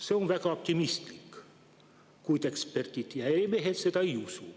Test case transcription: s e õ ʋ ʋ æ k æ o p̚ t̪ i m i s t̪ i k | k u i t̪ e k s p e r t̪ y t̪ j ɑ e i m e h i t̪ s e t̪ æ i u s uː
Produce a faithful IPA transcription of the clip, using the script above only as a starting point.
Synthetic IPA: s e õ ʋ ʋ æ k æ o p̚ t̪ i m i s t̪ i k | k u i t̪ e k s p e r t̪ i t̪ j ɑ e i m e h e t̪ s e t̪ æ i u s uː